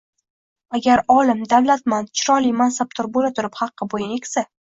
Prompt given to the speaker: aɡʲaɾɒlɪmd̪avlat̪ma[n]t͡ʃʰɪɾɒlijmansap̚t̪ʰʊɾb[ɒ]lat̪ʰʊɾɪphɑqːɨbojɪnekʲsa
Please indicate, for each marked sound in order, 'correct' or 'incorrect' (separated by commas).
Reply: correct, incorrect